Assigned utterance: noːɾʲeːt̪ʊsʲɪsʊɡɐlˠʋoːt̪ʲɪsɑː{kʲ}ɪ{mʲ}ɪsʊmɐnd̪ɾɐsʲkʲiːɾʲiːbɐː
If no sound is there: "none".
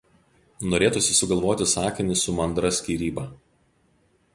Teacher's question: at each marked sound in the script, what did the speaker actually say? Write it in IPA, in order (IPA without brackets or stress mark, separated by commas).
kʲ, nʲ